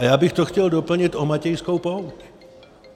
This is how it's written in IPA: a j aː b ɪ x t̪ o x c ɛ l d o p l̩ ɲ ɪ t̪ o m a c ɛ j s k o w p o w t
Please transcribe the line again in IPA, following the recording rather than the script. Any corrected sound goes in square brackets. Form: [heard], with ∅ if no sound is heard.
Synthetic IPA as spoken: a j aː b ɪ x t̪ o x c ɛ l d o p l̩ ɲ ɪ t̪ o m a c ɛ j s k o w p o w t